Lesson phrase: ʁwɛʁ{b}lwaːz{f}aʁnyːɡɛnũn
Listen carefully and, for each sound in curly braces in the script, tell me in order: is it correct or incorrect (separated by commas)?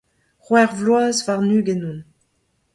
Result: incorrect, incorrect